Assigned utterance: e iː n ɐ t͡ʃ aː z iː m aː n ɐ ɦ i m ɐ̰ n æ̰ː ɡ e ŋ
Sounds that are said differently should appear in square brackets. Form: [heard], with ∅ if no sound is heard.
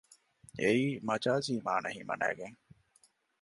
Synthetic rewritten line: e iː [m] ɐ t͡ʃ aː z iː m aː n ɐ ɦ i m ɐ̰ n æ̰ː ɡ e ŋ